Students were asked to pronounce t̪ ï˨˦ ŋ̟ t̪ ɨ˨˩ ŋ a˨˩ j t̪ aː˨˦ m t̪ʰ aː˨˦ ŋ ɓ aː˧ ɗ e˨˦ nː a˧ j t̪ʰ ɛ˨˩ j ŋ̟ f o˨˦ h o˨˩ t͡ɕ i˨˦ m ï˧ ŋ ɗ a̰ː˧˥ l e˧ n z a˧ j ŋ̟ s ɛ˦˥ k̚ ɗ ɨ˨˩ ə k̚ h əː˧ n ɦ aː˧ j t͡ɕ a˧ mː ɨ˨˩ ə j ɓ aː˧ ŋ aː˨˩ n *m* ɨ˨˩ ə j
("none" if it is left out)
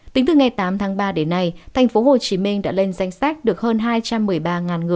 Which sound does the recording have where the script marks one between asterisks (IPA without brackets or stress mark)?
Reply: ŋ